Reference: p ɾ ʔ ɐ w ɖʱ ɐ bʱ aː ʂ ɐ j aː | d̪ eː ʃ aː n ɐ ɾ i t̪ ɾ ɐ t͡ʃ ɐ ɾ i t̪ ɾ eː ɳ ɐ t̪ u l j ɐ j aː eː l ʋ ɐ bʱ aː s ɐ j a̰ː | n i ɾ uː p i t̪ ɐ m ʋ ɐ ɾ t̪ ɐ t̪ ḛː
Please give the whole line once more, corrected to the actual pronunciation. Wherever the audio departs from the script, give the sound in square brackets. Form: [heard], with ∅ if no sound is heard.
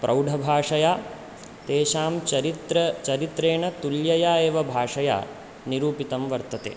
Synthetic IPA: p ɾ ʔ ɐ w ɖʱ ɐ bʱ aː ʂ ɐ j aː | [t̪] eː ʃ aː [m] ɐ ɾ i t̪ ɾ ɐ t͡ʃ ɐ ɾ i t̪ ɾ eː ɳ ɐ t̪ u l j ɐ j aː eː [∅] ʋ ɐ bʱ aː [ʂ] ɐ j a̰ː | n i ɾ uː p i t̪ ɐ m ʋ ɐ ɾ t̪ ɐ t̪ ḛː